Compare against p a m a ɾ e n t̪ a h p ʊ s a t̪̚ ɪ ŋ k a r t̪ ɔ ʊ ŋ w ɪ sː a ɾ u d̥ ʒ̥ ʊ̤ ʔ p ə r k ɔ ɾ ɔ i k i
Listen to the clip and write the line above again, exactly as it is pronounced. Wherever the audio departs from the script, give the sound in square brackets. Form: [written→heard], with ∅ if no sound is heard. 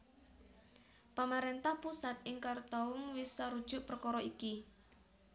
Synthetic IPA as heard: p a m a ɾ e n t̪ a h p [ʊ→u] s a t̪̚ ɪ ŋ k a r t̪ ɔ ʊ ŋ w ɪ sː a ɾ u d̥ ʒ̥ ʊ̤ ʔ p ə r k ɔ ɾ ɔ i k i